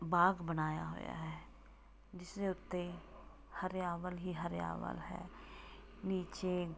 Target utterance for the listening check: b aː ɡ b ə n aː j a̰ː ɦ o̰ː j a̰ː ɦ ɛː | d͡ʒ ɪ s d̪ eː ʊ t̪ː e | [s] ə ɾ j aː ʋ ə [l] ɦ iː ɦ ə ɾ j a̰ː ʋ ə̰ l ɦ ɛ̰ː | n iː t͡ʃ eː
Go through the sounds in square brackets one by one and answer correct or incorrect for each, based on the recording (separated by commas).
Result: incorrect, correct